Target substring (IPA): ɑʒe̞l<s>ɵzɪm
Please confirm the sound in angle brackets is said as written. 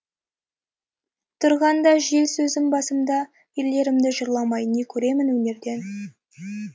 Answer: yes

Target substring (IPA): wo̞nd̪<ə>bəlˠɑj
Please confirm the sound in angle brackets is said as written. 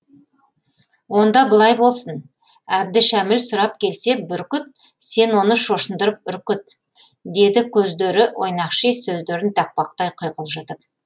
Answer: no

